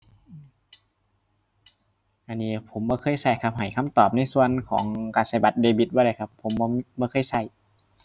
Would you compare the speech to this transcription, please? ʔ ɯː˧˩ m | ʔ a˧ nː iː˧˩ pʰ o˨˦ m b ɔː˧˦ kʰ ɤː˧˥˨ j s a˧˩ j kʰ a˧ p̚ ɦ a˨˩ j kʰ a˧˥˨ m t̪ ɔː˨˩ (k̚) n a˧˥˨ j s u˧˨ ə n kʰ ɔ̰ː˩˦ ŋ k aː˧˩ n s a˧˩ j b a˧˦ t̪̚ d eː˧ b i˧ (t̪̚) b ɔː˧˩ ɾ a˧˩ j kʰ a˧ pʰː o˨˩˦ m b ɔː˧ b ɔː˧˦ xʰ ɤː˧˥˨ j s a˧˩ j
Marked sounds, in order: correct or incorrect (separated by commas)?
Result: incorrect, correct